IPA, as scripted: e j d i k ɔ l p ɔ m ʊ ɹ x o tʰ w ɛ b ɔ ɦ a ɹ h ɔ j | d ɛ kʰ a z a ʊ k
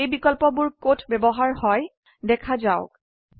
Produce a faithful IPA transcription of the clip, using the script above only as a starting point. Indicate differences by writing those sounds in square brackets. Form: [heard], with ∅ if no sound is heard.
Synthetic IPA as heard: e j [b] i k ɔ l p ɔ [b] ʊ ɹ [k] o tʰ [b] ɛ b ɔ ɦ a ɹ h ɔ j | d ɛ kʰ a z a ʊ k